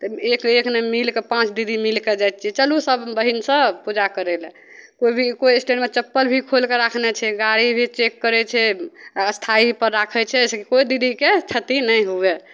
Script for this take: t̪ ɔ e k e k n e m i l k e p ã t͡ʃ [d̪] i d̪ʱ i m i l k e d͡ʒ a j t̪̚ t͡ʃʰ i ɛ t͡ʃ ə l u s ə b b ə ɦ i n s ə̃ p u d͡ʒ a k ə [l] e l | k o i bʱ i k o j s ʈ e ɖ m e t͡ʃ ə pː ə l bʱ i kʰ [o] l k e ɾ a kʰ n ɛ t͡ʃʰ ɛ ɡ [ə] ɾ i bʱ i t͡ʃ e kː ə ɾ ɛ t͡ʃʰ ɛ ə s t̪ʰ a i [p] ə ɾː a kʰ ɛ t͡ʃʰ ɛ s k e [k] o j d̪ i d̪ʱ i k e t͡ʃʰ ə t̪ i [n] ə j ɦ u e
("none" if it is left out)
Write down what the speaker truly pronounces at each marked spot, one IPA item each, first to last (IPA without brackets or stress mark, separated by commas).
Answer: d̪, ɾ, o, a, p, k, n